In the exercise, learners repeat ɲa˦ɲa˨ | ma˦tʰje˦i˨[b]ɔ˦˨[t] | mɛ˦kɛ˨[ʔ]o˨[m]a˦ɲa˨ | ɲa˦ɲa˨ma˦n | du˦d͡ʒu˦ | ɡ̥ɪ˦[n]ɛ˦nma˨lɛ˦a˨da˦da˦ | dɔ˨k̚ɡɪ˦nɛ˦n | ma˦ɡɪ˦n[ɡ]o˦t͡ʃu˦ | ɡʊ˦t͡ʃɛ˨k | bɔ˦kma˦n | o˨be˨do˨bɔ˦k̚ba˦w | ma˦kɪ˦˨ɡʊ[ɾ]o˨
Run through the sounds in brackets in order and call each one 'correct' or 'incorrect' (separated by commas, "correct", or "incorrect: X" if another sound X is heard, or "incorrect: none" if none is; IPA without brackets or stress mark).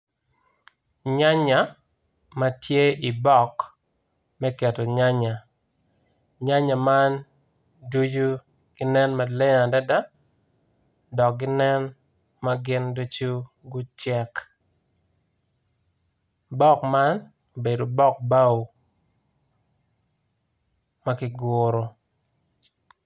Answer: correct, incorrect: k, incorrect: t, incorrect: ɲ, correct, incorrect: d, correct